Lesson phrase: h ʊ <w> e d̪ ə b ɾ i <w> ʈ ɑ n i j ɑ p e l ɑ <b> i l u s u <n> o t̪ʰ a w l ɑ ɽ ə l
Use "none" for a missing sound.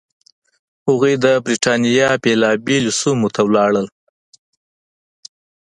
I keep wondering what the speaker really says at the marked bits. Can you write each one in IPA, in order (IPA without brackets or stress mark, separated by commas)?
ɣ, none, b, m